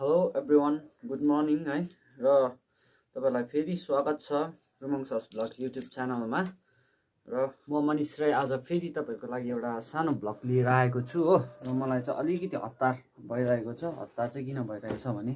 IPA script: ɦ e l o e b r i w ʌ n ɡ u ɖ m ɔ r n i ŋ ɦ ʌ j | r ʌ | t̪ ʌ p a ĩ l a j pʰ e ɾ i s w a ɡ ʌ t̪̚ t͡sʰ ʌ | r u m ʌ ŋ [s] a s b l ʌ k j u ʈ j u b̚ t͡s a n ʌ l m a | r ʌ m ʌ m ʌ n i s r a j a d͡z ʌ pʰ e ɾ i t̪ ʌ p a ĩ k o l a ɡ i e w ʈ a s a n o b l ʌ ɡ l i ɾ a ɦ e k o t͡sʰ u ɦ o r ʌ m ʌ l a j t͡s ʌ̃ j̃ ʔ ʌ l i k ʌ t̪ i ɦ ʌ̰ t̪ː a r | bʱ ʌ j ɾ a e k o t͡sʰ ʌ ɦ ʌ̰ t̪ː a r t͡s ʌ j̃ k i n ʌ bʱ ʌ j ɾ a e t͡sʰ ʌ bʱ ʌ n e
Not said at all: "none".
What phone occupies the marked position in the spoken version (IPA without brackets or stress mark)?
s